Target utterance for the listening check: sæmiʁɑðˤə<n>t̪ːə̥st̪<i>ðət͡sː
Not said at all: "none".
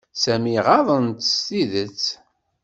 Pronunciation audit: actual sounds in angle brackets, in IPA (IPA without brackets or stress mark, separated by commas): n, i